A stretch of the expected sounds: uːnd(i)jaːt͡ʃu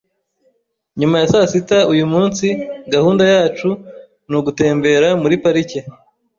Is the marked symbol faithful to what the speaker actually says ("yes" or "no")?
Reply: no